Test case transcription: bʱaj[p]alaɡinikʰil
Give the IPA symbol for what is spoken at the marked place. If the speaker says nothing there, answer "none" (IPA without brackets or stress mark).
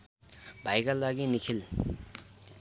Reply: k